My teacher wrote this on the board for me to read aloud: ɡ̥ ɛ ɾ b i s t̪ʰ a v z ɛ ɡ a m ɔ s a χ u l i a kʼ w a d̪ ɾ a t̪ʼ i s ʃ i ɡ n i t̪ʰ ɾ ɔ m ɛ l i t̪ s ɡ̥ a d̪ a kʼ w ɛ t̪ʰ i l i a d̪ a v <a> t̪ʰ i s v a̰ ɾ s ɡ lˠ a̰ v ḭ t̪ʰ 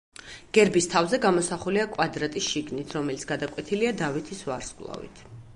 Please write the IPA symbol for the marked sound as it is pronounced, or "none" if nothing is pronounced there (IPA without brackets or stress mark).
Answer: i